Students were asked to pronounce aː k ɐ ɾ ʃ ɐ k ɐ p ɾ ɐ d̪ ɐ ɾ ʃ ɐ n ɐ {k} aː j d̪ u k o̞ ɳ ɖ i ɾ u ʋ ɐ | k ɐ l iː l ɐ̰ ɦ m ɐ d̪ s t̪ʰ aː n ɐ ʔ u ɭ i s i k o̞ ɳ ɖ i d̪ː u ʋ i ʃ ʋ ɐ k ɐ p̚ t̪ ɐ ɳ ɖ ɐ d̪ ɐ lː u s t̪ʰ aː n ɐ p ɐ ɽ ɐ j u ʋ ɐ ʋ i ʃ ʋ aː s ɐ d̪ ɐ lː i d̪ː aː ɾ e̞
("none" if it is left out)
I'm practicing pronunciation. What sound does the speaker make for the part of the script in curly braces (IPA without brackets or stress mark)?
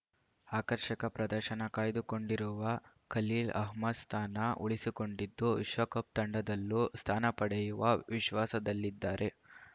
k